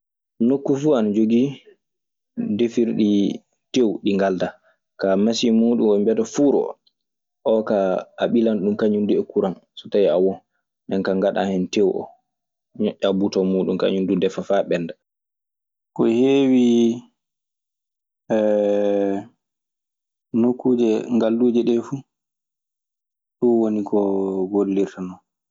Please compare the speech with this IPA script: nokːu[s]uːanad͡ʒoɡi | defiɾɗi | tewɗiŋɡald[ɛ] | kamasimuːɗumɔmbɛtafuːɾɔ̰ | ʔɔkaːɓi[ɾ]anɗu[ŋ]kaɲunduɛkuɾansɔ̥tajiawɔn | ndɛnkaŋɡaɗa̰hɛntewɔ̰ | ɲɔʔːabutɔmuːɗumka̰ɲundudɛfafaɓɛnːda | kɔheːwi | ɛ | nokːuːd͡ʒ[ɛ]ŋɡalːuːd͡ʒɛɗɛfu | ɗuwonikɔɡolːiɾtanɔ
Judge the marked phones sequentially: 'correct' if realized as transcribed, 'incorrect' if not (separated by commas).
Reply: incorrect, incorrect, incorrect, incorrect, correct